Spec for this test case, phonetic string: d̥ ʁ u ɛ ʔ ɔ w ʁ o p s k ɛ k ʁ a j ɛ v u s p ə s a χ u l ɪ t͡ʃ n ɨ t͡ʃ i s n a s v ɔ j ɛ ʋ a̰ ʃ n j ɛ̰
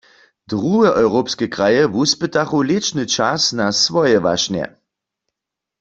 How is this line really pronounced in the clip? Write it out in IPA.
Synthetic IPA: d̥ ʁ u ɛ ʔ ɔ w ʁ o p s k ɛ k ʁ a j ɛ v u s p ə t a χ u l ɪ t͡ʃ n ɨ t͡ʃ a s n a s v ɔ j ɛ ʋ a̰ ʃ n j ɛ̰